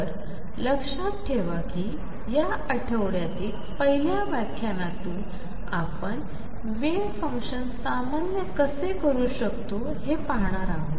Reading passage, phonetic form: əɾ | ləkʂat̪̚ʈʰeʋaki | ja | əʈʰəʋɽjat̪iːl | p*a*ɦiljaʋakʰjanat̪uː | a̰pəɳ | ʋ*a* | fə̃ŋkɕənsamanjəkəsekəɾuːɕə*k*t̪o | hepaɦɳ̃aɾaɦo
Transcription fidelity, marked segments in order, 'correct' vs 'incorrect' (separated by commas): incorrect, incorrect, correct